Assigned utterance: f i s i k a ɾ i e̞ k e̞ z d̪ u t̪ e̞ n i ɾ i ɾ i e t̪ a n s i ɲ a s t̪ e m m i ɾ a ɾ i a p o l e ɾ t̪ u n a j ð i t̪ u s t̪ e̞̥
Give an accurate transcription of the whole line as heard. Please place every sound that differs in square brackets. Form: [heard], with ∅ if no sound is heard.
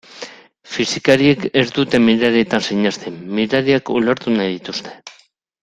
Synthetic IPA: f i s i k a ɾ i e̞ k e̞ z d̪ u t̪ e̞ [m] i ɾ [a] ɾ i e t̪ a n s i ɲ a s t̪ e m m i ɾ a ɾ i a [k] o l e ɾ t̪ u n a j ð i t̪ u s t̪ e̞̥